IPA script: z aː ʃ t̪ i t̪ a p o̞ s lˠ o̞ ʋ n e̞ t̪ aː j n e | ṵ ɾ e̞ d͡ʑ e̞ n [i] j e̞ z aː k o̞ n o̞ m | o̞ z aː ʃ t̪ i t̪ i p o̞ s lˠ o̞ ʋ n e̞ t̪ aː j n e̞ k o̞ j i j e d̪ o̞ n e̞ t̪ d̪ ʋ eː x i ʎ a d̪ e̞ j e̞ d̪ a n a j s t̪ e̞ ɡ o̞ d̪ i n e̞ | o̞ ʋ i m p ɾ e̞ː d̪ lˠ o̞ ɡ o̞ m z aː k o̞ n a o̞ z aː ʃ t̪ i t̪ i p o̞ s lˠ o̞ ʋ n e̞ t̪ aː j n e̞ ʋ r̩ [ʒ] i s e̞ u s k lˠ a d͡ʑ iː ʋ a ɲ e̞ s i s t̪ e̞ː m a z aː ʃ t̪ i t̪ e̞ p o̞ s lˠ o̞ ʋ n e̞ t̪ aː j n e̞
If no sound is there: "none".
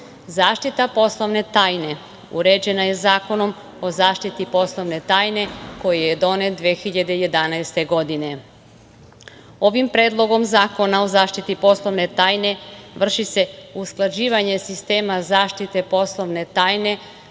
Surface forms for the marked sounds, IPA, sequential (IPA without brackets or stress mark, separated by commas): a, ʃ